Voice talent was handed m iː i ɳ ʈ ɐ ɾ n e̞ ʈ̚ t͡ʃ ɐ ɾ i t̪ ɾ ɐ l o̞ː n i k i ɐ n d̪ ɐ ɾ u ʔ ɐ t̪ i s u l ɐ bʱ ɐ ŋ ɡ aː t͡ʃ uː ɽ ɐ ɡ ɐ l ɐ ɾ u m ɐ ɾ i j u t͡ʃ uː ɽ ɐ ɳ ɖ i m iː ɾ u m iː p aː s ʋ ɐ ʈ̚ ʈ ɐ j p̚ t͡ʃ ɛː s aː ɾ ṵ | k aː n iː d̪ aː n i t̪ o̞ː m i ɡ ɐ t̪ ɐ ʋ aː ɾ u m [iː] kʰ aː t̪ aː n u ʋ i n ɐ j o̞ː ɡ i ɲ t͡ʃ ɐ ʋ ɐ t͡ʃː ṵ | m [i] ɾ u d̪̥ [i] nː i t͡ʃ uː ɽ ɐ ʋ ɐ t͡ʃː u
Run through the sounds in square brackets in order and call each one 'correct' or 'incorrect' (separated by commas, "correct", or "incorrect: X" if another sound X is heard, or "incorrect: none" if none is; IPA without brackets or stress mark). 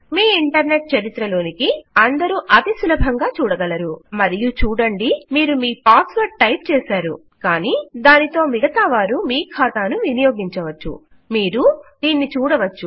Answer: correct, incorrect: iː, incorrect: iː